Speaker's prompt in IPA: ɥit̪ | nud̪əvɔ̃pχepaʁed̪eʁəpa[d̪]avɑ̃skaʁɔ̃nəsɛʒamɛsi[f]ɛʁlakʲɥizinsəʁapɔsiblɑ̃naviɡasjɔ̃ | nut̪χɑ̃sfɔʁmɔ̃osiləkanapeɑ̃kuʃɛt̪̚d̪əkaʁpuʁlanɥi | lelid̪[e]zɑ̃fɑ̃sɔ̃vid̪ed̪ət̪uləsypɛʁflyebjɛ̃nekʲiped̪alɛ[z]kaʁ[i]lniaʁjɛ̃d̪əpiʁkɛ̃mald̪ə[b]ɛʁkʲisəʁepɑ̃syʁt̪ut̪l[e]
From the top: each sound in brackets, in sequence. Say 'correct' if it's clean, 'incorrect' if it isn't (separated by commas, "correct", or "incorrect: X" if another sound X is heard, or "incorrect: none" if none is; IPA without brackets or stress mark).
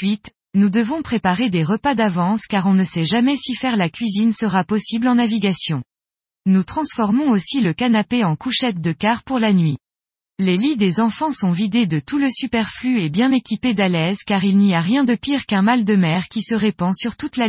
correct, correct, correct, correct, correct, incorrect: m, incorrect: a